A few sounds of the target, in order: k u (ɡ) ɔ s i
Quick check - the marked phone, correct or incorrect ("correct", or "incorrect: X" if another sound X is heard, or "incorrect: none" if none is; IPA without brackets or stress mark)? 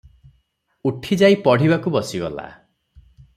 incorrect: b